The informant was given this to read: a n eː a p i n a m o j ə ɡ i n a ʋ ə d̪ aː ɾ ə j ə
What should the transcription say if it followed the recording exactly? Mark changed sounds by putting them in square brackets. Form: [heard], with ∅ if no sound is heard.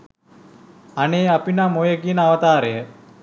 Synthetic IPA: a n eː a p i n a m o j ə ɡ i n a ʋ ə [t̪] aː ɾ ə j ə